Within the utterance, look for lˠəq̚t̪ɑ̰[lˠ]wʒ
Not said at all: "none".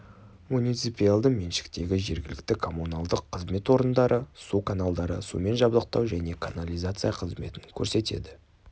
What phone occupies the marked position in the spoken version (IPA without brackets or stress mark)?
none